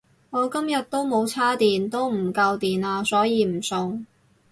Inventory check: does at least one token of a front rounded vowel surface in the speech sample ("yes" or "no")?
no